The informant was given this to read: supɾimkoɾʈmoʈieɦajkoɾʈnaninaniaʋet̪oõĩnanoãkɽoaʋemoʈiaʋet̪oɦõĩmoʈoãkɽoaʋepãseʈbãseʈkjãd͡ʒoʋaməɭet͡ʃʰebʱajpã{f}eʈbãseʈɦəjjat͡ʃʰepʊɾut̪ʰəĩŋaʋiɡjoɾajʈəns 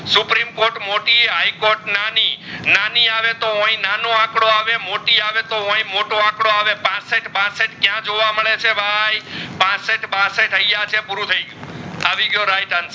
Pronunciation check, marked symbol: incorrect: s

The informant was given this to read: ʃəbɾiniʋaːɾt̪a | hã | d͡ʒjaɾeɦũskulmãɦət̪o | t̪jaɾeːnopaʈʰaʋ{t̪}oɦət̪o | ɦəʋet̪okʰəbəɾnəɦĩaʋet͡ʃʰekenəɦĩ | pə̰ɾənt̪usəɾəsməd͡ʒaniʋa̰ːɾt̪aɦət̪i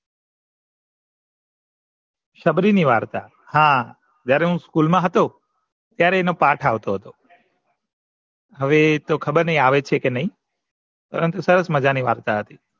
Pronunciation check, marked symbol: correct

